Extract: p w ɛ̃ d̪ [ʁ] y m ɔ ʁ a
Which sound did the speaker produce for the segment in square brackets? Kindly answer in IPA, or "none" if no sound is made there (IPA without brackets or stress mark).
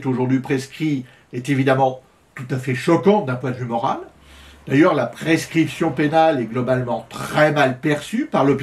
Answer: v